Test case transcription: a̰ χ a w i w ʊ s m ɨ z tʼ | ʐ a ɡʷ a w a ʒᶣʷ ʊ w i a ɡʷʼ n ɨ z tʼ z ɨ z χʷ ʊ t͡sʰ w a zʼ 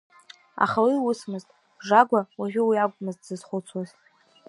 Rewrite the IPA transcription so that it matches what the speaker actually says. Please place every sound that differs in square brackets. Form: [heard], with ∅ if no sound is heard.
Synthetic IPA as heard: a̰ χ a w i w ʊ s m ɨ z tʼ | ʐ a ɡʷ a w a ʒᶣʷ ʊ w i a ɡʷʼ [m] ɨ z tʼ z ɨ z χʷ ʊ t͡sʰ w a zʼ